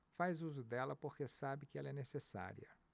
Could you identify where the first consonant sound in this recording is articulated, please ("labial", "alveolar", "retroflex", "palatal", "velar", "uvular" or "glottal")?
labial